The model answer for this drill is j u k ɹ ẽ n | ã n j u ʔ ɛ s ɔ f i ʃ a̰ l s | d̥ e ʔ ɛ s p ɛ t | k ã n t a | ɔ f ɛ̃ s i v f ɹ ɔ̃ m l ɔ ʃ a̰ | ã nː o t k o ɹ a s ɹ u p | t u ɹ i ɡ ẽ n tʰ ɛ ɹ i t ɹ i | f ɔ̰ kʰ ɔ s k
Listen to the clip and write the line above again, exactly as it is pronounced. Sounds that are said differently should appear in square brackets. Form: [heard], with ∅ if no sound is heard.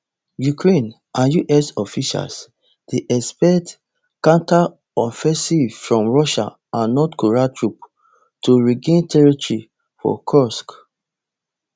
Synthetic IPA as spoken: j u k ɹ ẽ n | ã n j u ʔ ɛ s ɔ f i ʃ a̰ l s | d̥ e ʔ ɛ s p ɛ t | k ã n t a | ɔ f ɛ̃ s i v f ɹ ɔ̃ m [ɹ] ɔ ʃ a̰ | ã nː [ɔ] t k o ɹ a [t] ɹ u p | t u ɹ i ɡ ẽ n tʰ ɛ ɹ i t ɹ i | f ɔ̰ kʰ ɔ s k